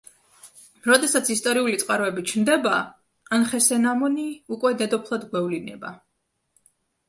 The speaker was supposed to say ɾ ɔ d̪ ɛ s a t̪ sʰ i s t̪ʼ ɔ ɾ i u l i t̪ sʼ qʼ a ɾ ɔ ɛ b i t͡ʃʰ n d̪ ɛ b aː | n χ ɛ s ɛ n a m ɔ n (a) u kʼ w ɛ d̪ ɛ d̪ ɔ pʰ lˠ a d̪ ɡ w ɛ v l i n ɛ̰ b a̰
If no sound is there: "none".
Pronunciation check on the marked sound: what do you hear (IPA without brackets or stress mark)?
i